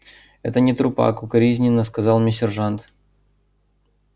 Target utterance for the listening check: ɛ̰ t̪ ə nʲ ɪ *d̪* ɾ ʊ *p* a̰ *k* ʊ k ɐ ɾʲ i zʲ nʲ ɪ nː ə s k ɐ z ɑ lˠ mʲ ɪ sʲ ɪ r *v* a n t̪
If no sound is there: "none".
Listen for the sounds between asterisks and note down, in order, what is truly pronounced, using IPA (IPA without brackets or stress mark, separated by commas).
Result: t̪, p, k, ʐ